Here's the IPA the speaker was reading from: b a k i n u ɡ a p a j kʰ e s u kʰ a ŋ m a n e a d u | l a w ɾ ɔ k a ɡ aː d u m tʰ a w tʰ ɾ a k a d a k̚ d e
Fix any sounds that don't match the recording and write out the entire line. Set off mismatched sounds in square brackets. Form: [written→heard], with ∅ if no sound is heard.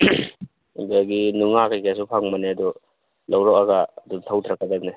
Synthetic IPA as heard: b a [k→ɡ] i n u [ɡ→ŋ] a [p→k] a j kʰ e s u [kʰ→pʰ] a ŋ m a n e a d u | l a w ɾ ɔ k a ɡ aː d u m tʰ a w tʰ ɾ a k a d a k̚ [d→n] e

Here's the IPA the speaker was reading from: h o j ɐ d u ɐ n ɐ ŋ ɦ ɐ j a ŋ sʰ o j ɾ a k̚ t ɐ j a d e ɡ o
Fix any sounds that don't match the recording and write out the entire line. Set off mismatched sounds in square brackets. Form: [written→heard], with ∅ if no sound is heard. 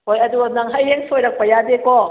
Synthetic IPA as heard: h o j ɐ d u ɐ n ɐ ŋ ɦ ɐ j [a→e] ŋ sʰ o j ɾ [a→ɐ] k̚ [t→p] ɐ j a d e [ɡ→k] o

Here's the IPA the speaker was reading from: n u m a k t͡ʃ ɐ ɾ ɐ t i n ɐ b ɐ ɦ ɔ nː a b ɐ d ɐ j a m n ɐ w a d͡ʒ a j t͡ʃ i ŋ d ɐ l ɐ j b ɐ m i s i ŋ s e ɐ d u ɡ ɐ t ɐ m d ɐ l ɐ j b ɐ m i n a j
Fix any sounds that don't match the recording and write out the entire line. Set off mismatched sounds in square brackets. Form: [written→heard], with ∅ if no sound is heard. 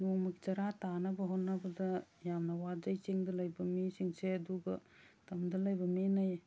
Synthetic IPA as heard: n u m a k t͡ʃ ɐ ɾ [ɐ→a] t [i→a] n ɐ b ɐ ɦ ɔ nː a b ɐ d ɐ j a m n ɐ w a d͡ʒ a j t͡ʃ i ŋ d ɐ l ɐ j b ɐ m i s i ŋ s e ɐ d u ɡ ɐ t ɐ m d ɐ l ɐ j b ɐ m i n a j

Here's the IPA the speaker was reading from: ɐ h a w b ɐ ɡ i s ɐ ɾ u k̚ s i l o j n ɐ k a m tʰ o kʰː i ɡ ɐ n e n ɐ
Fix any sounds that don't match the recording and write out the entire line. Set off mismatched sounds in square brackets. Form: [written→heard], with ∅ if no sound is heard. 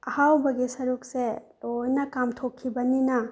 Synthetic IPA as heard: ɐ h a w b ɐ ɡ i s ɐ ɾ u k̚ s [i→e] l o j n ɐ k a m tʰ o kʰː i [ɡ→b] ɐ n [e→i] n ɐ

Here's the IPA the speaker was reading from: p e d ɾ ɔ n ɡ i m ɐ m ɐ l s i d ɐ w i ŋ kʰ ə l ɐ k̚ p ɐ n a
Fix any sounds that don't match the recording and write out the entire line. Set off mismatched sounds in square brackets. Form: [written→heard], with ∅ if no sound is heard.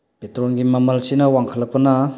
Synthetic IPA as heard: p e [d→t] ɾ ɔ n ɡ i m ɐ m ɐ l s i [d→n] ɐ w [i→a] ŋ kʰ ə l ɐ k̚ p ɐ n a

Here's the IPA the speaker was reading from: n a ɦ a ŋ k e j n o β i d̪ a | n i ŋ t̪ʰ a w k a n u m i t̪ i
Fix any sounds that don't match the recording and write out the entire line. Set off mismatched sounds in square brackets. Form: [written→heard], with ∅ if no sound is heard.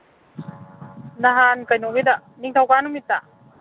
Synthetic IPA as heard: n a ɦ a [ŋ→n] k [e→a] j n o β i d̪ a | n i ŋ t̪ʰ a w k a n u m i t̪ [i→a]

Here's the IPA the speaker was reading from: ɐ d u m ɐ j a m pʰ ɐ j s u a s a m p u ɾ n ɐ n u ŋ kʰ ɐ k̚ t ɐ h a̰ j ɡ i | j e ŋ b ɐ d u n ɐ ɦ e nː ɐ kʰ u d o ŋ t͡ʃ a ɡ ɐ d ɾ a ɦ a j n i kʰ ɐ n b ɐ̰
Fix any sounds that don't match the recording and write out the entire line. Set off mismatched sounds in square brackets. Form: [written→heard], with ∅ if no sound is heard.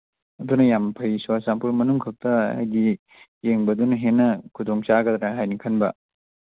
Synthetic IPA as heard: ɐ d u [m→n] ɐ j a m pʰ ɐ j s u a s a m p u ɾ [n→m] ɐ n u ŋ kʰ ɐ k̚ t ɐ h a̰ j ɡ i | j e ŋ b ɐ d u n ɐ ɦ e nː ɐ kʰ u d o ŋ t͡ʃ a ɡ ɐ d ɾ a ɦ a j n i kʰ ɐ n b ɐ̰

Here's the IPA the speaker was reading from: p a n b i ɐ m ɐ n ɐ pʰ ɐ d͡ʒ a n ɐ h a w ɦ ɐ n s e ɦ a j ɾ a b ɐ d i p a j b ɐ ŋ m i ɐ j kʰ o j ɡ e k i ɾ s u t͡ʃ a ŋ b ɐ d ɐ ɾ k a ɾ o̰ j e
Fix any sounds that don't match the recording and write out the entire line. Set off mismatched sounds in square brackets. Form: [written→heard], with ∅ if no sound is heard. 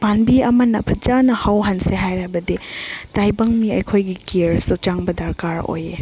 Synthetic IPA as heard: p a n b i ɐ m ɐ n ɐ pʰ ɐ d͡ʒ a n ɐ h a w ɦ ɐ n s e ɦ a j ɾ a b ɐ d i [p→t] a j b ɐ ŋ m i ɐ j kʰ o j ɡ [e→i] k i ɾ s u t͡ʃ a ŋ b ɐ d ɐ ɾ k a ɾ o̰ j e

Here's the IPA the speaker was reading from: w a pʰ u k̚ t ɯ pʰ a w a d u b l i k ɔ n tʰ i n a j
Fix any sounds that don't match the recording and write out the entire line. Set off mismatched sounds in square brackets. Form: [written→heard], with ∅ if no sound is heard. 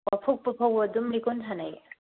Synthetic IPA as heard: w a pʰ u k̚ [t→p] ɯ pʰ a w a d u [b→m] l i k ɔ n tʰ [i→a] n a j

